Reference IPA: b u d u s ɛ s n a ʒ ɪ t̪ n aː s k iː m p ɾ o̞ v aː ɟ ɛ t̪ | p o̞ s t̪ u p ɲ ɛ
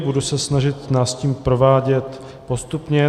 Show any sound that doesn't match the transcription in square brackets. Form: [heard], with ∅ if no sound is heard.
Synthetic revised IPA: b u d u s ɛ s n a ʒ ɪ t̪ n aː s [c] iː m p ɾ o̞ v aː ɟ ɛ t̪ | p o̞ s t̪ u p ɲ ɛ

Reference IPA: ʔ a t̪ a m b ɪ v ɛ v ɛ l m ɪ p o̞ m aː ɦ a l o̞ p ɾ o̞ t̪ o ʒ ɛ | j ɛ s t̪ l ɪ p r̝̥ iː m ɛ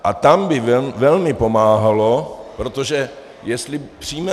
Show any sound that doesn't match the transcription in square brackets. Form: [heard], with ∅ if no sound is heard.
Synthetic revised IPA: ʔ a t̪ a m b ɪ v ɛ v ɛ l m ɪ p o̞ m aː ɦ a l o̞ p ɾ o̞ t̪ o ʒ ɛ | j ɛ s t̪ l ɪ p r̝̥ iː m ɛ

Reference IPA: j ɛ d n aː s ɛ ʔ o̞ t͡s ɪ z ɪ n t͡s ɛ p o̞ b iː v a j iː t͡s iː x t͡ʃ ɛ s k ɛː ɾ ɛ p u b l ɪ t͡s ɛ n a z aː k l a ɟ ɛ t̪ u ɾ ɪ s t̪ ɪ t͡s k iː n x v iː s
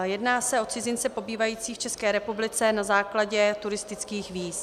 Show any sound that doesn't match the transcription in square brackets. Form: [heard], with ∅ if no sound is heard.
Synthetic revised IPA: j ɛ d n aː s ɛ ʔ o̞ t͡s ɪ z ɪ n t͡s ɛ p o̞ b iː v a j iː t͡s iː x t͡ʃ ɛ s k ɛː ɾ ɛ p u b l ɪ t͡s ɛ n a z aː k l a ɟ ɛ t̪ u ɾ ɪ s t̪ ɪ t͡s k iː [∅] x v iː s

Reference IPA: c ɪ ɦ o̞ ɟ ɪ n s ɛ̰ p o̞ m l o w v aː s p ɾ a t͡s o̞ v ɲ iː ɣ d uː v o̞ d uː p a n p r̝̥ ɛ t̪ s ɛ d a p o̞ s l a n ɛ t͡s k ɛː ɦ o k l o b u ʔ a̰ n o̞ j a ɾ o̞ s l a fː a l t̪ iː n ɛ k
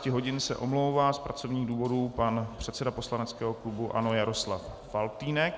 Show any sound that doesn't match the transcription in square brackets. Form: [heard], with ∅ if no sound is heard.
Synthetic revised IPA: c ɪ ɦ o̞ ɟ ɪ n s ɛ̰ [ʔ] o̞ m l o w v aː s p ɾ a t͡s o̞ v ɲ iː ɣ d uː v o̞ d uː p a n p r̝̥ ɛ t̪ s ɛ d a p o̞ s l a n ɛ t͡s k ɛː ɦ o k l [u] b u ʔ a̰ n o̞ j a ɾ o̞ s l a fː a l t̪ iː n ɛ k

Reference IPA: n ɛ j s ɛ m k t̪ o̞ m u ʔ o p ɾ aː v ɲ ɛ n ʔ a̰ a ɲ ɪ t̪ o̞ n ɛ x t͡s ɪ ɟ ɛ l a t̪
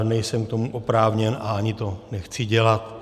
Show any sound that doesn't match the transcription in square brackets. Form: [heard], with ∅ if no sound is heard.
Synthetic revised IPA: n ɛ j s ɛ m k t̪ o̞ m u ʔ o p ɾ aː v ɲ ɛ n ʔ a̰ a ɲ ɪ t̪ o̞ n ɛ x t͡s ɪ ɟ ɛ l a t̪

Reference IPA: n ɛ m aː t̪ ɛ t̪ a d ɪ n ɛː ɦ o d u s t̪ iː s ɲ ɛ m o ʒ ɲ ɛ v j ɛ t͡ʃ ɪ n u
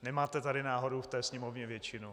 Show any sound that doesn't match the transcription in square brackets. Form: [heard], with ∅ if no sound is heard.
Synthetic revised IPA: n ɛ m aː t̪ ɛ t̪ a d ɪ n [aː] ɦ o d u [f] t̪ [ɛː] s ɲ ɛ m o [v] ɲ ɛ v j ɛ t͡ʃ ɪ n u

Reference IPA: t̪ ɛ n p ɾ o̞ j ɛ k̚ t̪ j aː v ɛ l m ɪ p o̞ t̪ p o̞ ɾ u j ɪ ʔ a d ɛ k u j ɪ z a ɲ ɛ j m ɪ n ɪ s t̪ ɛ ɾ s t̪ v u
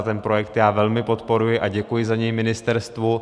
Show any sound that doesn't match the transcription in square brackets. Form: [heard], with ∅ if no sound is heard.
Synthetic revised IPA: t̪ ɛ n p ɾ o̞ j ɛ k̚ t̪ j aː v ɛ l m ɪ p o̞ t̪ p o̞ ɾ u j ɪ ʔ a [ɟ] ɛ k u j ɪ z a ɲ ɛ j m ɪ n ɪ s t̪ ɛ ɾ s t̪ v u

